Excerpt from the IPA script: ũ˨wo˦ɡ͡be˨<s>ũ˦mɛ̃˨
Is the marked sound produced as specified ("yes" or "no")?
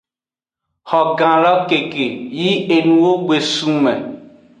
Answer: yes